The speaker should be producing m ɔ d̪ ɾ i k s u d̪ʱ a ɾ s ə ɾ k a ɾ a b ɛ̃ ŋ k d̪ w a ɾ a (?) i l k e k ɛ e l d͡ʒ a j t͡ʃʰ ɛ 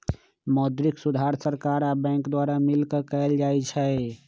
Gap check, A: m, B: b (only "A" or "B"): A